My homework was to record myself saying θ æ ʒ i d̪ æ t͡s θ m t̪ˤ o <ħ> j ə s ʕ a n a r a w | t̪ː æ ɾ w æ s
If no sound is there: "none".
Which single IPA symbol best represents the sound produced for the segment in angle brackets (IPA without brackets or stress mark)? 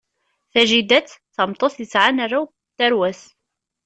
θ